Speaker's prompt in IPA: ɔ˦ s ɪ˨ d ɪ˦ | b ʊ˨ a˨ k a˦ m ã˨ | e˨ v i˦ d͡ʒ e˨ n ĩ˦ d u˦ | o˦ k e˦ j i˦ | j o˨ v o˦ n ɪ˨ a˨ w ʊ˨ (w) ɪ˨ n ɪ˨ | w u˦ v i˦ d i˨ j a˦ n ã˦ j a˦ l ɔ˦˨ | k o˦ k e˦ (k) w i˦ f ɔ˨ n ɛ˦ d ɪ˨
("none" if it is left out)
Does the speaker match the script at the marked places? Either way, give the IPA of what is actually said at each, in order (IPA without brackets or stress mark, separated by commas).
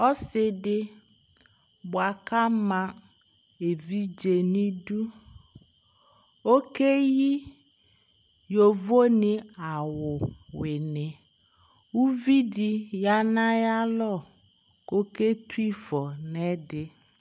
w, t